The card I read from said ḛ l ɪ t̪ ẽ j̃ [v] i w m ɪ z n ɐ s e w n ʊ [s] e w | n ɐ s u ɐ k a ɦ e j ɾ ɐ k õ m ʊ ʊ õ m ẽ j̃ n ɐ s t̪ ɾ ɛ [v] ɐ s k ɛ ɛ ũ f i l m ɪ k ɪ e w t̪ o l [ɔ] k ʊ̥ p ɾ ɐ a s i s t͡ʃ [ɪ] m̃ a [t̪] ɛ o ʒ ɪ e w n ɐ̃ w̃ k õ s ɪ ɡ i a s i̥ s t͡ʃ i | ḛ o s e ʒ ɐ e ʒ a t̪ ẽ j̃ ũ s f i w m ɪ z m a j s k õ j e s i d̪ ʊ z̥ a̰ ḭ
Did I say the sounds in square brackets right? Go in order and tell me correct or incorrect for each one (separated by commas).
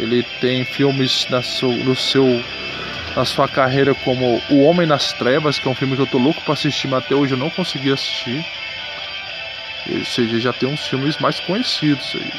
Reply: incorrect, correct, correct, incorrect, incorrect, correct